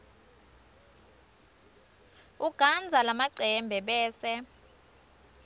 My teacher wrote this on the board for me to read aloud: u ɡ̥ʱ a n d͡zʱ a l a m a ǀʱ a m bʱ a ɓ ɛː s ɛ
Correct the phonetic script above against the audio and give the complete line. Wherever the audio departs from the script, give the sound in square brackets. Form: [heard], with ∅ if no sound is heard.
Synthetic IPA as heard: u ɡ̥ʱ a n d͡zʱ a l a m a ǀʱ [ɛ] m bʱ [ɛ] ɓ ɛː s ɛ